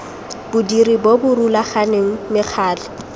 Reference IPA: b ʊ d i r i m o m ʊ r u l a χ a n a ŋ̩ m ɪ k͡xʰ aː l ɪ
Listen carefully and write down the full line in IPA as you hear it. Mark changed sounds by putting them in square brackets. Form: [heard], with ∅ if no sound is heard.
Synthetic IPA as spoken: b ʊ d i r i [b] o [b] ʊ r u l a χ a n [e] ŋ̩ m ɪ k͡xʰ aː l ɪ